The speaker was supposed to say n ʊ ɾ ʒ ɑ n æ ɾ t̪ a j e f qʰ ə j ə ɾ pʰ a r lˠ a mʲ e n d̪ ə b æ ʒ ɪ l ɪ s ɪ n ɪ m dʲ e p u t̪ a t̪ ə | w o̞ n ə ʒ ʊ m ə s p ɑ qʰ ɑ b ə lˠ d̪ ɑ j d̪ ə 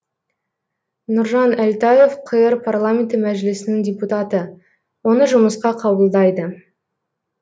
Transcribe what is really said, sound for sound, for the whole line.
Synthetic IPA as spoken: n ʊ ɾ ʒ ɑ n æ l t̪ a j e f qʰ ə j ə ɾ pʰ a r lˠ a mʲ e n t̪ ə m æ ʒ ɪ l ɪ s ɪ n ɪ ŋ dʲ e p u t̪ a t̪ ə | w o̞ n ə ʒ ʊ m ə s q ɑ qʰ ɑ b ə lˠ d̪ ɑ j d̪ ə